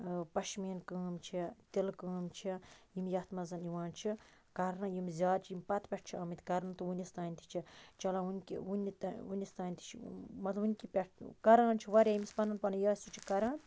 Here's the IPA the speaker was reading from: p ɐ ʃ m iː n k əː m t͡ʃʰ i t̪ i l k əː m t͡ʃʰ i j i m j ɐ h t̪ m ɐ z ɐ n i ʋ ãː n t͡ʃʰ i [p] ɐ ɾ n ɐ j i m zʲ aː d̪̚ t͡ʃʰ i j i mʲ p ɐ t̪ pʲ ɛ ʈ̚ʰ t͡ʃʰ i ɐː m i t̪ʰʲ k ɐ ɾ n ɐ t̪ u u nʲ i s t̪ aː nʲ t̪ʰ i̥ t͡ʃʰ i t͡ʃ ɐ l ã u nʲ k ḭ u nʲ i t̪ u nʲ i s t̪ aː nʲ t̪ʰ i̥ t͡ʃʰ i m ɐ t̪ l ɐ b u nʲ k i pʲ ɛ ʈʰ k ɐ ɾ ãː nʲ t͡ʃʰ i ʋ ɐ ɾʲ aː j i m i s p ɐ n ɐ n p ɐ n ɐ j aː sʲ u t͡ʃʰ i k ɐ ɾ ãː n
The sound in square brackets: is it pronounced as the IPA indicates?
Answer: no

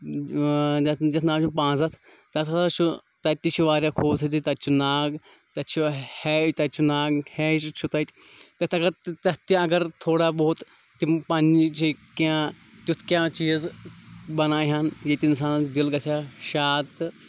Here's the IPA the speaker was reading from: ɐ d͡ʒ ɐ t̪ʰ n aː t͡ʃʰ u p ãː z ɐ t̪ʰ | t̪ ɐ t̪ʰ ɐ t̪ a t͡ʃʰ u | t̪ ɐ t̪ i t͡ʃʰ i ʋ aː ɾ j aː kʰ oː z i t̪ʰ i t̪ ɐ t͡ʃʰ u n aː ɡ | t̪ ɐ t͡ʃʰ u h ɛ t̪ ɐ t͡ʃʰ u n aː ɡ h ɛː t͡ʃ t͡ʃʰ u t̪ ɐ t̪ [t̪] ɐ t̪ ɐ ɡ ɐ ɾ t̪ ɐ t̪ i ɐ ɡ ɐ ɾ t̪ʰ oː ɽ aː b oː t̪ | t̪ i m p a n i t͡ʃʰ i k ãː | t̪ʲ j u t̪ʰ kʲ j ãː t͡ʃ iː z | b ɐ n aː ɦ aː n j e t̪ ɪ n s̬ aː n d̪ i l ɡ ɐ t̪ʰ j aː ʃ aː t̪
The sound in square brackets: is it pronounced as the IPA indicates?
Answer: yes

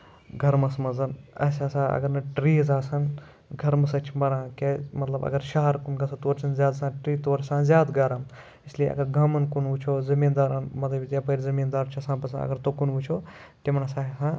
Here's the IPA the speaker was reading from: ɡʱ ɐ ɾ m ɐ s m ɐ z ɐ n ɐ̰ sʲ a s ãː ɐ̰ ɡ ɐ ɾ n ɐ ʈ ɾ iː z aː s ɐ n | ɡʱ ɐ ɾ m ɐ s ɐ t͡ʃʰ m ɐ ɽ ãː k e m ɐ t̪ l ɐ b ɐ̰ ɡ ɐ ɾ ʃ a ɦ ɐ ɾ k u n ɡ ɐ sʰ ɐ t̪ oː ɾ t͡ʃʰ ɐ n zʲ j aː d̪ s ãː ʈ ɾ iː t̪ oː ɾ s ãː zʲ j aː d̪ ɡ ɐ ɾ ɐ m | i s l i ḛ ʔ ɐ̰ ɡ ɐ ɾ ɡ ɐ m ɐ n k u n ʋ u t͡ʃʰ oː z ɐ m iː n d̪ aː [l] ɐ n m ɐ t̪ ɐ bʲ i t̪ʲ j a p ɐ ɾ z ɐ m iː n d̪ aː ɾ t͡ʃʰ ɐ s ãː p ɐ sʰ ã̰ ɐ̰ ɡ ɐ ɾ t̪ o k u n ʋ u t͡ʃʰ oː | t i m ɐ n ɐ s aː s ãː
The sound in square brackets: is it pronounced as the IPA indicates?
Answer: no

